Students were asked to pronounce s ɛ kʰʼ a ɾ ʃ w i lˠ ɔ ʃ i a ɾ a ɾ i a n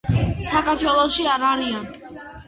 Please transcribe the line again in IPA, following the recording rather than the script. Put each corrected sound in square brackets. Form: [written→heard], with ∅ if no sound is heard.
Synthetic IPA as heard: s [ɛ→a] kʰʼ a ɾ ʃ w [i→ɛ] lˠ ɔ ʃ i a ɾ a ɾ i a n